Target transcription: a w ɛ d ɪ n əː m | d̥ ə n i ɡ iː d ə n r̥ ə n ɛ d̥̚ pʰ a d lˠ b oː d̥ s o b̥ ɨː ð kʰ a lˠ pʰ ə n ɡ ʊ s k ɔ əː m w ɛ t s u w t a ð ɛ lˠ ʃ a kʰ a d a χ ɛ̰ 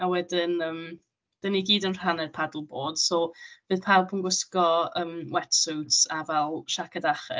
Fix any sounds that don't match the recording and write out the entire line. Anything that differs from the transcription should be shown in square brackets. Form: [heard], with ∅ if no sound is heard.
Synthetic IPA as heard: a w ɛ d ɪ n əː m | d̥ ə n i ɡ iː d ə n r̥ [a] n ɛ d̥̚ pʰ a d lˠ b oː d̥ s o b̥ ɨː ð [pʰ] a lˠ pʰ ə n ɡ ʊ s k ɔ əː m w ɛ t s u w t a [v] ɛ lˠ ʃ a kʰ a d a χ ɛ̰